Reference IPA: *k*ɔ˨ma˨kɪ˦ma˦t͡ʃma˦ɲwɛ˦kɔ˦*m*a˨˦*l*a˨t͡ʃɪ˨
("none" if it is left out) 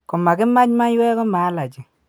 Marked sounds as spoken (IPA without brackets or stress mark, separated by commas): k, m, l